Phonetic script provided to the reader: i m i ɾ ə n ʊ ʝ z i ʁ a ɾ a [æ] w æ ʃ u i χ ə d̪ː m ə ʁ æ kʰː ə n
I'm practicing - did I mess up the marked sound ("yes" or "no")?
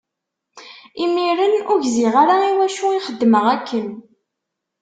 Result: yes